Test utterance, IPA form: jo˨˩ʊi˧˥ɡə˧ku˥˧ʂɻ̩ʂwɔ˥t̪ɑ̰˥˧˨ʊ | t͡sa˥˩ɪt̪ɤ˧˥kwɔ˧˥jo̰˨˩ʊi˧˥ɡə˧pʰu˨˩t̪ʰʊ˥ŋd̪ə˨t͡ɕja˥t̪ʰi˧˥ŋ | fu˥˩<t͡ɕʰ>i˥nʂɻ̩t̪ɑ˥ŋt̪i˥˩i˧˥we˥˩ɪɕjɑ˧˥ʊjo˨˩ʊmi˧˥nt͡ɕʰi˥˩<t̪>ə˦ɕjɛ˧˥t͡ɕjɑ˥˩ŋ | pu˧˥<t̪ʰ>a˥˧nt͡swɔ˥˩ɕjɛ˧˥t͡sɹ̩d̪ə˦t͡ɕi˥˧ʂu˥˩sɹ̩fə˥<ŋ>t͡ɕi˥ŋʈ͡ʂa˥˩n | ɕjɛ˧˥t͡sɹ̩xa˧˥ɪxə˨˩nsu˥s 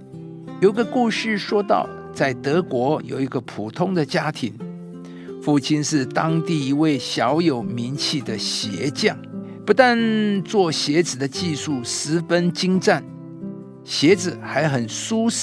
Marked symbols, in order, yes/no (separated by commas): yes, no, no, no